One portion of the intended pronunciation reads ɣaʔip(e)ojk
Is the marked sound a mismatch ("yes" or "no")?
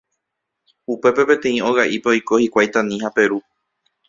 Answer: no